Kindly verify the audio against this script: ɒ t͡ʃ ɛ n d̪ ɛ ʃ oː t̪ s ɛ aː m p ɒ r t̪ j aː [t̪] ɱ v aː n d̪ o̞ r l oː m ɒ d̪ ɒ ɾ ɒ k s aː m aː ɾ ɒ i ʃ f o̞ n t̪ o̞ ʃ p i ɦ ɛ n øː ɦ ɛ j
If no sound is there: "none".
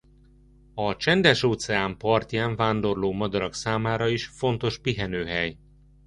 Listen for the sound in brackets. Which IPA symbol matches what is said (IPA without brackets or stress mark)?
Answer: none